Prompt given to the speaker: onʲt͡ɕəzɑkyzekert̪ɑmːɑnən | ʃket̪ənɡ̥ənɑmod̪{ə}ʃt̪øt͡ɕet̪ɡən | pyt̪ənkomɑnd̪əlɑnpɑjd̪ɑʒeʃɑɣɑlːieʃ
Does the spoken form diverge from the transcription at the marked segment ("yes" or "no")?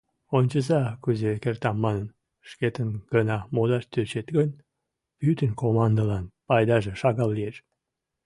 yes